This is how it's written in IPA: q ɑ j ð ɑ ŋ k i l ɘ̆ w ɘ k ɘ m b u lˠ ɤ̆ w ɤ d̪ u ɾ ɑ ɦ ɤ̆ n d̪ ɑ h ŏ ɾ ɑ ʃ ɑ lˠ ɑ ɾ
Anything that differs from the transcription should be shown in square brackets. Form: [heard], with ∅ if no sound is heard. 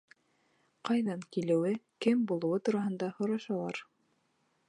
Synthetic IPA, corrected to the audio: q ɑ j ð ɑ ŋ k i l ɘ̆ w ɘ k ɘ m b u lˠ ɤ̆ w ɤ [t̪] u ɾ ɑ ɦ ɤ̆ n d̪ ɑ h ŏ ɾ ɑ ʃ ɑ lˠ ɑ ɾ